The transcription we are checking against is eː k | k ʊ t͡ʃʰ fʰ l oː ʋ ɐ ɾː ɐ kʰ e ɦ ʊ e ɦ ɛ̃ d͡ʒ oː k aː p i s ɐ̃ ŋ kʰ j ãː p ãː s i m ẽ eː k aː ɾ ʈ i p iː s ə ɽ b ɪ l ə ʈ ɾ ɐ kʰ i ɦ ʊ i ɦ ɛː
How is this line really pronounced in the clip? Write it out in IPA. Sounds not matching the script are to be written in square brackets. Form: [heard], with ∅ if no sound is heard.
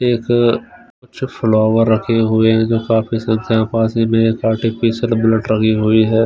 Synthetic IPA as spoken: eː k | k ʊ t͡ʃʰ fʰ l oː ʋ [ə] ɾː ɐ kʰ e ɦ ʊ e ɦ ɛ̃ d͡ʒ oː k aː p i s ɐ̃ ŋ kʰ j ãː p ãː s i m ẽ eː k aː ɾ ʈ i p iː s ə [l] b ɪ l ə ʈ ɾ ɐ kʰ i ɦ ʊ i ɦ ɛː